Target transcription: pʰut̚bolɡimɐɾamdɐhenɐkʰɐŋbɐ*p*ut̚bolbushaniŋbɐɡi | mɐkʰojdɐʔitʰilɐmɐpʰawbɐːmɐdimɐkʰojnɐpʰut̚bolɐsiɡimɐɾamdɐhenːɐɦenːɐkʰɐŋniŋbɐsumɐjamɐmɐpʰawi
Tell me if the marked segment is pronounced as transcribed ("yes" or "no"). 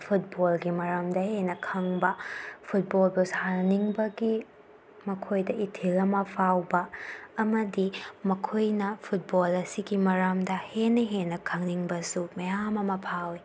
no